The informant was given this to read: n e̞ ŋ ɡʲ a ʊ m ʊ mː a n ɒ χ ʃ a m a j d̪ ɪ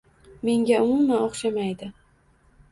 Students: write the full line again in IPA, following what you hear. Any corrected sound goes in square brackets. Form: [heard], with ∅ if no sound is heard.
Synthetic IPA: [m] e̞ ŋ ɡʲ a ʊ m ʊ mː a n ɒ χ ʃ a m a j d̪ ɪ

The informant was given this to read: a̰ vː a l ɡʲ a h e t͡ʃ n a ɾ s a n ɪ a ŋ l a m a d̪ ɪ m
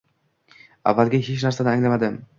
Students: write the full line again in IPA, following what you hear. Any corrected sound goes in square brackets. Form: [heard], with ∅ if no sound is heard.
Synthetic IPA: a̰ vː a l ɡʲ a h e t͡ʃ n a ɾ s a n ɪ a ŋ l a m a d̪ ɪ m

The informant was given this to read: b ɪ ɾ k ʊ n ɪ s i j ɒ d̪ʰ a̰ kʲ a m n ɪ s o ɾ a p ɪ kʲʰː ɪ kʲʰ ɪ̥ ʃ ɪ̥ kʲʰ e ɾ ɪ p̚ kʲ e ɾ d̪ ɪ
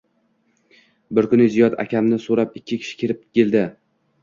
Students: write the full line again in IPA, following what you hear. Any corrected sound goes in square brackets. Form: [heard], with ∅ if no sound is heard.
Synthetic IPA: b ɪ ɾ k ʊ n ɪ [z] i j ɒ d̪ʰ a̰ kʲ a m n ɪ s o ɾ a p ɪ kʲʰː ɪ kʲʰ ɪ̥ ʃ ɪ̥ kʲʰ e ɾ ɪ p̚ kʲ e [l] d̪ ɪ

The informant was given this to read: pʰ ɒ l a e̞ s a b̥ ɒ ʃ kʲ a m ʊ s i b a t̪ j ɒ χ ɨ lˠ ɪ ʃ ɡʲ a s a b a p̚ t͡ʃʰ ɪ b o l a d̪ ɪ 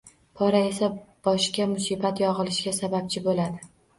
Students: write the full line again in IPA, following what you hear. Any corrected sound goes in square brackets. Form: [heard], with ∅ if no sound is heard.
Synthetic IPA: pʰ ɒ [ɾ] a e̞ s a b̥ ɒ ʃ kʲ a m ʊ s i b a t̪ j ɒ [ʁ] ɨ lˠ ɪ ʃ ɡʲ a s a b a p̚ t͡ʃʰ ɪ b o l a d̪ ɪ

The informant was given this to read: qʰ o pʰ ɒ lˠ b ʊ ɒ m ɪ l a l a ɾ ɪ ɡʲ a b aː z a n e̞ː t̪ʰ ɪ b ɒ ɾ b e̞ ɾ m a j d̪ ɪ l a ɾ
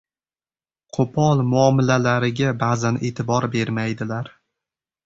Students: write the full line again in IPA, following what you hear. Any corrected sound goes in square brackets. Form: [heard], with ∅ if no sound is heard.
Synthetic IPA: qʰ o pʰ ɒ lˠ [m] ʊ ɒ m ɪ l a l a ɾ ɪ ɡʲ a b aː z a n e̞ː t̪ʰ ɪ b ɒ ɾ b e̞ ɾ m a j d̪ ɪ l a ɾ

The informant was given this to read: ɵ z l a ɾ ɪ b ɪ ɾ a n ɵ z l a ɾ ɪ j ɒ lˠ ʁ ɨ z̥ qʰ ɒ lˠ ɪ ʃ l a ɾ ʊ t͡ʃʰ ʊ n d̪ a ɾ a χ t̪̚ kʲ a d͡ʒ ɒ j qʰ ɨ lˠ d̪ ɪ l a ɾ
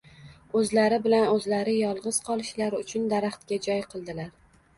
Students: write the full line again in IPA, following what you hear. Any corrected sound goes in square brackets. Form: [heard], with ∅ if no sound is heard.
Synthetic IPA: ɵ z l a ɾ ɪ b ɪ [l] a n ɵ z l a ɾ ɪ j ɒ lˠ ʁ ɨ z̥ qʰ ɒ lˠ ɪ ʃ l a ɾ ʊ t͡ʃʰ ʊ n d̪ a ɾ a χ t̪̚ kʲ a d͡ʒ ɒ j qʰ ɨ lˠ d̪ ɪ l a ɾ

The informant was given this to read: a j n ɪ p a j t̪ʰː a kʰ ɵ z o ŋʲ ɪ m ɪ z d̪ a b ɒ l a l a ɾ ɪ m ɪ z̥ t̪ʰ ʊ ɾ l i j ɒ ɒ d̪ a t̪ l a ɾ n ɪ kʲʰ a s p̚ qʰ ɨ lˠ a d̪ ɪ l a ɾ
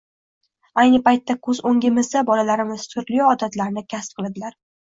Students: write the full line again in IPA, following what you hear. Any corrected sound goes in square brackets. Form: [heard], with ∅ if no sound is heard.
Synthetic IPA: a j n ɪ p a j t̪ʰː a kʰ ɵ z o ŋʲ ɪ m ɪ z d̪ a b ɒ l a l a ɾ ɪ m ɪ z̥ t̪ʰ ʊ ɾ l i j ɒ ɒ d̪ a t̪ l a ɾ n ɪ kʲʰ a s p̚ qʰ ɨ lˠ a d̪ ɪ l a ɾ

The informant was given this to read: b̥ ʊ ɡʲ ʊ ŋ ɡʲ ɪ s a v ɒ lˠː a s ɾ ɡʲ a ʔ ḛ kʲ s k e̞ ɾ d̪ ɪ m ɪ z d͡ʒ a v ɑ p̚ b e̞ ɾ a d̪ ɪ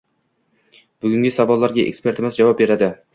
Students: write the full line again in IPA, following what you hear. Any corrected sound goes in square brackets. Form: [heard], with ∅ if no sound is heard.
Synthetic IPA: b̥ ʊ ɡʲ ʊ ŋ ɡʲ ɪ s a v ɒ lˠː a [∅] ɾ ɡʲ a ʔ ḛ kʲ s [p] e̞ ɾ [t̪] ɪ m ɪ z d͡ʒ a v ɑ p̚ b e̞ ɾ a d̪ ɪ

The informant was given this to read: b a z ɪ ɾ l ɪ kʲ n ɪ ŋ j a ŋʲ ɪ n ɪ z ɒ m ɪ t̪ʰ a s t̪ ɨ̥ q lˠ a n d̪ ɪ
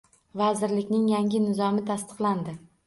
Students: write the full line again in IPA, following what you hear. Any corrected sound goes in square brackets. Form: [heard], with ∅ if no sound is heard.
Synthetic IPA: [v] a z ɪ ɾ l ɪ kʲ n ɪ ŋ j a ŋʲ ɪ n ɪ z ɒ m ɪ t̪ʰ a s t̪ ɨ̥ q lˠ a n d̪ ɪ

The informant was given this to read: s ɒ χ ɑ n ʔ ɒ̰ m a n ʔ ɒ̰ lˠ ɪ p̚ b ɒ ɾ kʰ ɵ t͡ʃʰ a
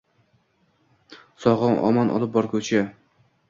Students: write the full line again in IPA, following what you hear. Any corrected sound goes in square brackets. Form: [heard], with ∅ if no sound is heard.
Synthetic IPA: s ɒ [ʁ] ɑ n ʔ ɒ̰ m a n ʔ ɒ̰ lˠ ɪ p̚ b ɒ ɾ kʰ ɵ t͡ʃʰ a

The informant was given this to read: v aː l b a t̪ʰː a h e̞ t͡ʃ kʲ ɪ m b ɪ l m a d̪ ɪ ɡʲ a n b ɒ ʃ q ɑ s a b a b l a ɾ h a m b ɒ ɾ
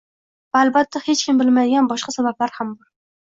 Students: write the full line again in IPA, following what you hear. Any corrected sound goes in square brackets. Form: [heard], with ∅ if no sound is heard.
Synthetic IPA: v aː l b a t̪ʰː a h e̞ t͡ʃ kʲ ɪ m b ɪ l m a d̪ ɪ ɡʲ a n b ɒ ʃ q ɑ s a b a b l a ɾ h a m b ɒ ɾ

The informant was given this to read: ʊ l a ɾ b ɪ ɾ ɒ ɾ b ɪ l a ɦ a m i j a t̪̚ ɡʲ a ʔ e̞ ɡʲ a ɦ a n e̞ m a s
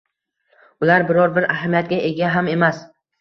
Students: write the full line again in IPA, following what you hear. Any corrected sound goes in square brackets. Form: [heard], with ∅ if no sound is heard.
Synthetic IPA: ʊ l a ɾ b ɪ ɾ ɒ ɾ b ɪ [ɾ] a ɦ a m i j a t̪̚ ɡʲ a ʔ e̞ ɡʲ a ɦ a [m] e̞ m a s

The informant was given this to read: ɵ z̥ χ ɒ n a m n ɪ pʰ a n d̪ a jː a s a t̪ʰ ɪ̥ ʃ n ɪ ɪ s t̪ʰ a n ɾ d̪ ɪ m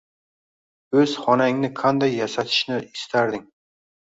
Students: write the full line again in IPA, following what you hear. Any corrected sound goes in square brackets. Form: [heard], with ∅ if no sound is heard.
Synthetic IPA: ɵ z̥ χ ɒ n a [ŋ] n ɪ [qʰ] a n d̪ a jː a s a t̪ʰ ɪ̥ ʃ n ɪ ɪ s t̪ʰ a [∅] ɾ d̪ ɪ [ŋ]

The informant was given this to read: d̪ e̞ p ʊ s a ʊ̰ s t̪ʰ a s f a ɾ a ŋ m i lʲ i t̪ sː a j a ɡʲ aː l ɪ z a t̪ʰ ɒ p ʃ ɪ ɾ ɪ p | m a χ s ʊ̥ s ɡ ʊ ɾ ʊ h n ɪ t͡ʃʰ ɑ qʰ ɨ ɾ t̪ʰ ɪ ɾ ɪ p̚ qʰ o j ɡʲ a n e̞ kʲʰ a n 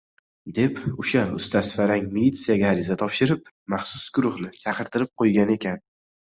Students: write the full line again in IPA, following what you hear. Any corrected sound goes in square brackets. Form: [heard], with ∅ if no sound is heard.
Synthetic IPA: d̪ e̞ p ʊ [ʃ] a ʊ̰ s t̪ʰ a s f a ɾ a ŋ m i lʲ i t̪ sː [i] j a ɡʲ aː [ɾ] ɪ z a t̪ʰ ɒ p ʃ ɪ ɾ ɪ p | m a χ s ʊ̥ s ɡ ʊ ɾ ʊ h n ɪ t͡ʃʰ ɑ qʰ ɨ ɾ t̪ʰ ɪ ɾ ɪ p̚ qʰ o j ɡʲ a n e̞ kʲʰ a n

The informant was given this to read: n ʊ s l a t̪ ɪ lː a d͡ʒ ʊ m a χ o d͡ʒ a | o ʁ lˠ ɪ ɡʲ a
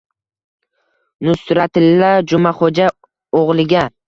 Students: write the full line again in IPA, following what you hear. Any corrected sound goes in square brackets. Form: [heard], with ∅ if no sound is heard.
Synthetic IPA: n ʊ s [ɾ] a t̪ ɪ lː a d͡ʒ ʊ m a χ o d͡ʒ a | o ʁ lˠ ɪ ɡʲ a

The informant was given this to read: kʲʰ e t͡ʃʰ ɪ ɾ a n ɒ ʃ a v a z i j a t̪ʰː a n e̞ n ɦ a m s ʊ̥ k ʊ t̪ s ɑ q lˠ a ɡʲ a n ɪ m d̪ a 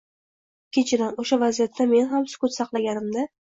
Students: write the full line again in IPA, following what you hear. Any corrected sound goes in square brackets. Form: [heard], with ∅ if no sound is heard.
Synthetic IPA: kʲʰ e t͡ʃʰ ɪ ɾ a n [o] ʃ a v a z i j a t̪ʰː a [m] e̞ n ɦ a m s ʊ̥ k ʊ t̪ s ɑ q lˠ a ɡʲ a n ɪ m d̪ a

